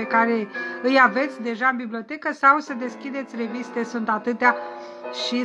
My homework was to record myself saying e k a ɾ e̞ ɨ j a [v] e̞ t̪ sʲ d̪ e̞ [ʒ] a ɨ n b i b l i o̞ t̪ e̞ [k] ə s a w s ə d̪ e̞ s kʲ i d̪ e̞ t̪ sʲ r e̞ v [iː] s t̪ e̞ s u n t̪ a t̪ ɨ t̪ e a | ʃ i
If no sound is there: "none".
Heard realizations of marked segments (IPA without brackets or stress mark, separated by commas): v, ʒ, k, i